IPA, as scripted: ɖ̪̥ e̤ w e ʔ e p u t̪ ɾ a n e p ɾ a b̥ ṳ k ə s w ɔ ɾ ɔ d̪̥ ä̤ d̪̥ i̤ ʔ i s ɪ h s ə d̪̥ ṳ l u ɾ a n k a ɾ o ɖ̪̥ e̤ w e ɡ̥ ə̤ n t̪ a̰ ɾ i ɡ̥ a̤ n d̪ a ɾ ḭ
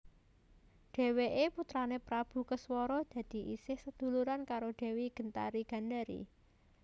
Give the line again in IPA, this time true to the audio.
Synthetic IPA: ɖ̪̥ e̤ w e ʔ e p u t̪ ɾ a n e p ɾ a b̥ ṳ k ə s w ɔ ɾ ɔ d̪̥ ä̤ d̪̥ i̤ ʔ i s ɪ h s ə d̪̥ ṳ l u ɾ a n k a ɾ o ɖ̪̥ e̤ w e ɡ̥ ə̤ n t̪ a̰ ɾ i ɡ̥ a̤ n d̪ a ɾ ḭ